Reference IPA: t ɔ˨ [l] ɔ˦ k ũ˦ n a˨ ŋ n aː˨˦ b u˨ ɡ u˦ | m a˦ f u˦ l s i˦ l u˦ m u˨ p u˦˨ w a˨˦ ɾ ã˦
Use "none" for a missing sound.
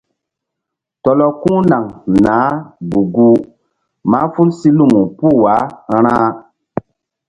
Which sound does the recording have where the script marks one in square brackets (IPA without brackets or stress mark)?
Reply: l